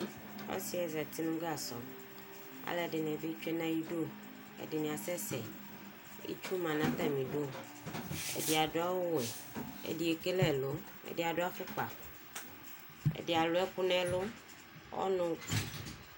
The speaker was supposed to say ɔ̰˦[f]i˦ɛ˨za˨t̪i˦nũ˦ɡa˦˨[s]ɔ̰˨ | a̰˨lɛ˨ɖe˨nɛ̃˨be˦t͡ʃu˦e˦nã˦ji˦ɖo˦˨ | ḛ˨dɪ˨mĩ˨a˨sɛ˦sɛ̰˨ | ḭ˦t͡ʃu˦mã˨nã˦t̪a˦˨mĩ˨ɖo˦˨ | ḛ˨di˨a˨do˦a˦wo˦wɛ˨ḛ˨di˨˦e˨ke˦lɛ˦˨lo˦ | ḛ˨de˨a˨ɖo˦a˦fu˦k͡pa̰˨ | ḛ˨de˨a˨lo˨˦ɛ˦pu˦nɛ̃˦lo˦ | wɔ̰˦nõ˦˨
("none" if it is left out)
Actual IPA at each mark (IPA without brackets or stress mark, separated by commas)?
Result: s, s